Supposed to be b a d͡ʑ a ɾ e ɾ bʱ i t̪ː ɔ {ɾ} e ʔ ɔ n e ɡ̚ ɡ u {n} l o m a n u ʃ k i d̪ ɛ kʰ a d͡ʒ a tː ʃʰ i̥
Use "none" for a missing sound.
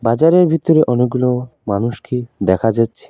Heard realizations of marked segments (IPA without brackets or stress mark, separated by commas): ɾ, none